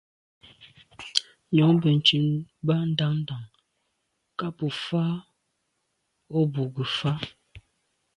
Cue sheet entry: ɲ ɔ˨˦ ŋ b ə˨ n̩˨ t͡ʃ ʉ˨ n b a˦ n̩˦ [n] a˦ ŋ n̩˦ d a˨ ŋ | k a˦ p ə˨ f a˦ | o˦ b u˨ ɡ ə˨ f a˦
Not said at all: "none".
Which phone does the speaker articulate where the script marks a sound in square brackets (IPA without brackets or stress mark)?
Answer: d